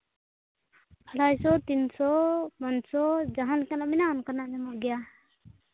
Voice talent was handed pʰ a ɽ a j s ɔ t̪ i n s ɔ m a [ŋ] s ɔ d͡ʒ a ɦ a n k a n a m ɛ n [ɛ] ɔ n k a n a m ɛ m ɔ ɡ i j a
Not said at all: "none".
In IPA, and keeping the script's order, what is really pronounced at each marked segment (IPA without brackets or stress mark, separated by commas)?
n, a